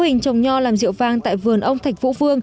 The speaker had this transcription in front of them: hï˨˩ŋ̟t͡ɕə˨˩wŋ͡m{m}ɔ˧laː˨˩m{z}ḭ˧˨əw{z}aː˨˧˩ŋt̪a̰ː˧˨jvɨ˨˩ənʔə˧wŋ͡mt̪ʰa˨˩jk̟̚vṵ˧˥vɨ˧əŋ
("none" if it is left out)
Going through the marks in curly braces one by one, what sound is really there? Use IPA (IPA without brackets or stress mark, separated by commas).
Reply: ɲ, z, v